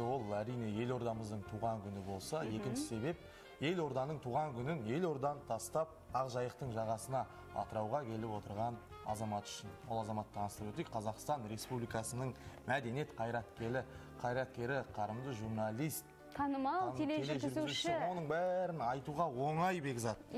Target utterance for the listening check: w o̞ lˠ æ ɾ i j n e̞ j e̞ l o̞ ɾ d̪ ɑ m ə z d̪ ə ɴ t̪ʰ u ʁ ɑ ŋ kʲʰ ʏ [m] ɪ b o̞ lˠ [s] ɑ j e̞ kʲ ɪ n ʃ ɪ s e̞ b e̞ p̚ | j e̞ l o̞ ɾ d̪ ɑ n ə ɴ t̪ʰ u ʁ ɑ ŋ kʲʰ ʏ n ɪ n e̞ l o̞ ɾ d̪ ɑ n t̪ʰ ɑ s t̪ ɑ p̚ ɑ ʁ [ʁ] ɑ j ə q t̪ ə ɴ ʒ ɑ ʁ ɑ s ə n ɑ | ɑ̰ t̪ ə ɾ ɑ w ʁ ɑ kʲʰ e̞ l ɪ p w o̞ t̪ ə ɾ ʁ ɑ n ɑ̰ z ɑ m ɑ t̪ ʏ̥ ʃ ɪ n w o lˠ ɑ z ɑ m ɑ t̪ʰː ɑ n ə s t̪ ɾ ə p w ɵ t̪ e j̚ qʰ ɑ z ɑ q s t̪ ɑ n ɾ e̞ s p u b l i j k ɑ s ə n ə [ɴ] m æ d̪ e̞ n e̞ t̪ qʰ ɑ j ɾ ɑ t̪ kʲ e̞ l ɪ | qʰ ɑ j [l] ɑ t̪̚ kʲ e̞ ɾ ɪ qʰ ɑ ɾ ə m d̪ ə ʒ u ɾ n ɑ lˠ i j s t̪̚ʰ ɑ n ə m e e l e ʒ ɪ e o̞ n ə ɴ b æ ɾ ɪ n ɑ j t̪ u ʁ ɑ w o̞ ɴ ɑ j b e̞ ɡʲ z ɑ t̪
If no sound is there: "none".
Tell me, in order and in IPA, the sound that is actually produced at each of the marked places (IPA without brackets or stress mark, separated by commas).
n, s, ʒ, ɴ, ɾ